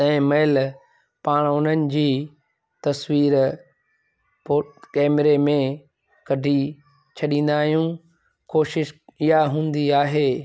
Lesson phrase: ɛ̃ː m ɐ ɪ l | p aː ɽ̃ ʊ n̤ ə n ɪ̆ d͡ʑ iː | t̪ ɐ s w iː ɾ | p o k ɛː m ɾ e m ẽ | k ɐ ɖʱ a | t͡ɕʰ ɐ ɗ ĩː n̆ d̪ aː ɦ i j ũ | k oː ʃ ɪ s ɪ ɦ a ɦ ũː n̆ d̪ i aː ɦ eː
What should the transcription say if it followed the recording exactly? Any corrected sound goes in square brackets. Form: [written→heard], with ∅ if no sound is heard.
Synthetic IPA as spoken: ɛ̃ː m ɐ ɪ l | p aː ɽ̃ ʊ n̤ ə n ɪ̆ d͡ʑ iː | t̪ ɐ s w iː ɾ | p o k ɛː m ɾ e m ẽ | k ɐ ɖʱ [a→i] | t͡ɕʰ ɐ ɗ ĩː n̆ d̪ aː ɦ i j ũ | k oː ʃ ɪ [s→ʃ] ɪ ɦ a ɦ ũː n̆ d̪ i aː ɦ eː